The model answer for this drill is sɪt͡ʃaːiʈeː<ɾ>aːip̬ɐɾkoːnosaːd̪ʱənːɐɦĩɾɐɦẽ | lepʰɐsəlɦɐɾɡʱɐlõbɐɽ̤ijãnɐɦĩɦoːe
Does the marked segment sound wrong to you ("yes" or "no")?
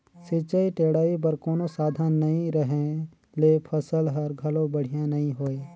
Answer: yes